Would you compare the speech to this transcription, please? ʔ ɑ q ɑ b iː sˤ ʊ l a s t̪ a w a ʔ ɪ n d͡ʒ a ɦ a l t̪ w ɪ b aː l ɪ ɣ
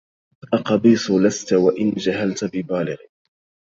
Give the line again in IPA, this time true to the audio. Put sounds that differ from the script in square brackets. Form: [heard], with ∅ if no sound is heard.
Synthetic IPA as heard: ʔ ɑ q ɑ b iː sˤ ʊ l a s t̪ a w a ʔ ɪ n d͡ʒ a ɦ a l t̪ [b] ɪ b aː l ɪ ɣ